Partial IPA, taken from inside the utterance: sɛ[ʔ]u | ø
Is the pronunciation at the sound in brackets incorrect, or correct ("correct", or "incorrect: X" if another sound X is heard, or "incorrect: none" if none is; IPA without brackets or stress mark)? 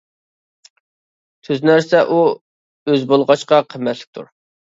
correct